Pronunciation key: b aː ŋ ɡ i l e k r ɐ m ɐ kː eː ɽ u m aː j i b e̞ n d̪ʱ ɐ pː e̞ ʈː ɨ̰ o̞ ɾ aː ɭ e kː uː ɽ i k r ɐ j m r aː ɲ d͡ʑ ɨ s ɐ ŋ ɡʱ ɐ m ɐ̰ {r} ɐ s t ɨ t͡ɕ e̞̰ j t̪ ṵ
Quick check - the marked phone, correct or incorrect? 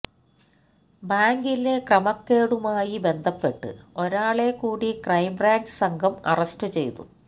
correct